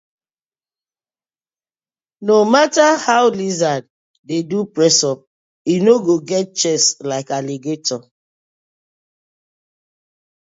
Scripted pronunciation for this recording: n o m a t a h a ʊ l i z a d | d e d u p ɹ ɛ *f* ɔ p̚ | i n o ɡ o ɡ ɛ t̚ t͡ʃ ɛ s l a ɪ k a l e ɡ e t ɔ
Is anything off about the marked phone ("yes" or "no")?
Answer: yes